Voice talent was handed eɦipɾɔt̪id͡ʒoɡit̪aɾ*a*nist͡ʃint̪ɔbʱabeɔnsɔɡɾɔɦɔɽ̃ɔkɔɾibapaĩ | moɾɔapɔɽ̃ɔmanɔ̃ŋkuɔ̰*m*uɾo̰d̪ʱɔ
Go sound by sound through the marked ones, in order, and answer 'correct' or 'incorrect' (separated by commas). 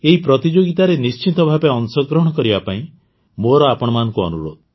incorrect, incorrect